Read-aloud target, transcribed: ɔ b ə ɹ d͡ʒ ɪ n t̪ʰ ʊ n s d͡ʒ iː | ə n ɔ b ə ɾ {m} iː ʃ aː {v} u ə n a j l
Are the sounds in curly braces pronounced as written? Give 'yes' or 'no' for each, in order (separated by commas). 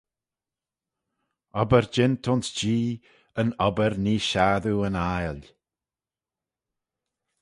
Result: no, no